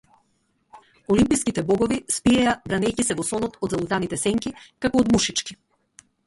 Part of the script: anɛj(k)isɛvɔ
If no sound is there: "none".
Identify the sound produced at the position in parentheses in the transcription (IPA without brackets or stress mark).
c